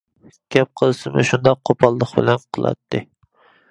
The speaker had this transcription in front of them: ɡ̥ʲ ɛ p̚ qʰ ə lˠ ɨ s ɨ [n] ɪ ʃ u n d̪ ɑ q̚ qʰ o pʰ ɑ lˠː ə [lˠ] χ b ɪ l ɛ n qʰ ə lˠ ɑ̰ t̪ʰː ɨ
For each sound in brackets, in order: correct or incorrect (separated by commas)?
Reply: incorrect, incorrect